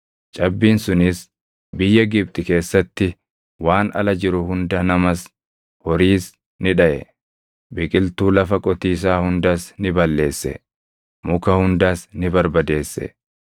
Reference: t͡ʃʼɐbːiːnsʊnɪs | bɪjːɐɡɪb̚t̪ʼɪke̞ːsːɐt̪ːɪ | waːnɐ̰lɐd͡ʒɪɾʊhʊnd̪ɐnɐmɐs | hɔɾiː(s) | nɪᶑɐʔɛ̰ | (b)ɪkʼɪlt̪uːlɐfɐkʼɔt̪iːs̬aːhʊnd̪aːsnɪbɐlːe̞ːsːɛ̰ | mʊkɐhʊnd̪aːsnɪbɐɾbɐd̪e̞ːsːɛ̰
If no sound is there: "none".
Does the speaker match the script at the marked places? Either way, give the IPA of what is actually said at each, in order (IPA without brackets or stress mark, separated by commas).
s, b